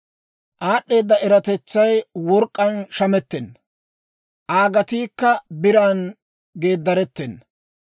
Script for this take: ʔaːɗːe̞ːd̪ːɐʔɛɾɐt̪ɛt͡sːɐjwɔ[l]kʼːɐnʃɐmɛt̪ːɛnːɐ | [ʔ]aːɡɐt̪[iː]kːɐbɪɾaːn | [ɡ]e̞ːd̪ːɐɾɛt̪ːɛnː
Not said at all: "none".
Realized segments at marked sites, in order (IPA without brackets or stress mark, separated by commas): ɾ, ʔ, iː, ɡ